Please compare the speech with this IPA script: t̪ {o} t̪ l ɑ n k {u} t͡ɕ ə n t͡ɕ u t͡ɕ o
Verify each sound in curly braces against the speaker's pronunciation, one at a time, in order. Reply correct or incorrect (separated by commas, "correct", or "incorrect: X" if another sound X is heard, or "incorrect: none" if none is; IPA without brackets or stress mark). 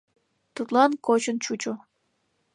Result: incorrect: u, incorrect: o